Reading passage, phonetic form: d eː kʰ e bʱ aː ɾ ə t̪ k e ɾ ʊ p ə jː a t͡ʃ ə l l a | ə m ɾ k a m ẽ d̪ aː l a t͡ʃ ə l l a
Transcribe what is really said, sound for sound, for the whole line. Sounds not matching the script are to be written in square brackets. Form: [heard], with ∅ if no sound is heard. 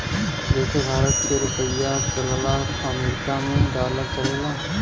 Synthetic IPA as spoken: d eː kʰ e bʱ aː ɾ ə t̪ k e ɾ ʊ p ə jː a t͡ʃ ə l l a | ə m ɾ k a m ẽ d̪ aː l a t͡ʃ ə l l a